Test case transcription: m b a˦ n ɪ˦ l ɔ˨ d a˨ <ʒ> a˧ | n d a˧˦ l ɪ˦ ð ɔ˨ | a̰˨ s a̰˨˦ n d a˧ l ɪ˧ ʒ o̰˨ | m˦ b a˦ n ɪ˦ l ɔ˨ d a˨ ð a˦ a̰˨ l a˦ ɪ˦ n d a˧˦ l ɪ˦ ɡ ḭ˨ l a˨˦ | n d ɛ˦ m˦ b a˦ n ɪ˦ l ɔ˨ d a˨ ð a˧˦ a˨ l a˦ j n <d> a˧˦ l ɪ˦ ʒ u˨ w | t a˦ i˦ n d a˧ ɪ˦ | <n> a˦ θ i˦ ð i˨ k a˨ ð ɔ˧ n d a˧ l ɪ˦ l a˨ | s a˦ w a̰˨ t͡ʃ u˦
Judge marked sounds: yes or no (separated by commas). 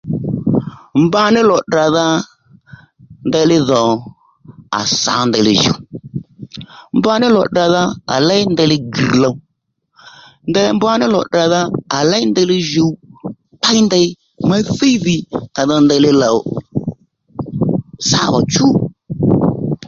no, yes, no